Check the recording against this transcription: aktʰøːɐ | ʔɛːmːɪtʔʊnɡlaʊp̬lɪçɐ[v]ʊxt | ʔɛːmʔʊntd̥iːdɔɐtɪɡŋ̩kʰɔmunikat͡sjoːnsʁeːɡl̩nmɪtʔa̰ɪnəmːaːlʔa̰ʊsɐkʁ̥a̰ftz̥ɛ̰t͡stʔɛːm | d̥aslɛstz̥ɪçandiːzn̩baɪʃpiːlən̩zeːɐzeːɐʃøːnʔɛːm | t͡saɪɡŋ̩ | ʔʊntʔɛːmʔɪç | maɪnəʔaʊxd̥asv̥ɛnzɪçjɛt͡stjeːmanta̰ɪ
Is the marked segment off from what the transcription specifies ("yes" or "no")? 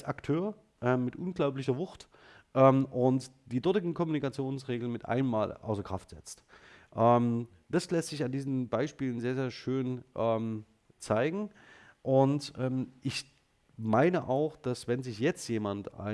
no